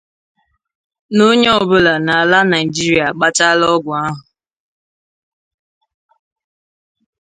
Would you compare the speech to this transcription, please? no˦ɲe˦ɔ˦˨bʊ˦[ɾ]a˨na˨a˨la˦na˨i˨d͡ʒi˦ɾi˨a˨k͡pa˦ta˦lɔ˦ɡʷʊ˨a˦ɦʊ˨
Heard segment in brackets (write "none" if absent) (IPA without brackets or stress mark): l